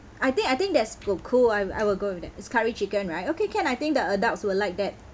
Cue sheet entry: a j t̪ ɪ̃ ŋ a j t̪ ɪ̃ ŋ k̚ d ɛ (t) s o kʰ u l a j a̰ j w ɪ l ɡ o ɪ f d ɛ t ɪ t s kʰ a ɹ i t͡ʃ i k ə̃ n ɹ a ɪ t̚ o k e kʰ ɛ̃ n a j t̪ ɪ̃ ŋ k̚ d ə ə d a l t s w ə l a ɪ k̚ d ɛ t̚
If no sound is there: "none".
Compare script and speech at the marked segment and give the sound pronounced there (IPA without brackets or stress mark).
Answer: t